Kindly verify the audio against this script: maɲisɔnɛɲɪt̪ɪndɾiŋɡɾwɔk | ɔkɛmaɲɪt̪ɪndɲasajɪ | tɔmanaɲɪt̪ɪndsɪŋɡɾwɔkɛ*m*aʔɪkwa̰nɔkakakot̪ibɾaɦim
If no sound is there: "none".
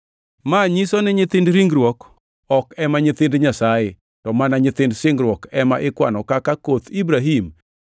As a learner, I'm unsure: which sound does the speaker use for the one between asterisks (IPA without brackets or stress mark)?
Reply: m